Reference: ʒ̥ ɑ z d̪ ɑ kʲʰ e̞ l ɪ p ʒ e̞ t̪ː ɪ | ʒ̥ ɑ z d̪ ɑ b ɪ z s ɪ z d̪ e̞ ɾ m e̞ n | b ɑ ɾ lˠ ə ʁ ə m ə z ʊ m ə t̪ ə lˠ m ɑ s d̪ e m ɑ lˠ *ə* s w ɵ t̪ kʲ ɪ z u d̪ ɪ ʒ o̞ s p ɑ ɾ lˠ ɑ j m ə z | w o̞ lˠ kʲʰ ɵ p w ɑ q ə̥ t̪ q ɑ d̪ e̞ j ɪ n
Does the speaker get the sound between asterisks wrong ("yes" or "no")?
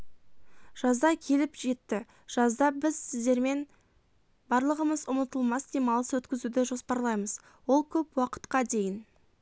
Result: no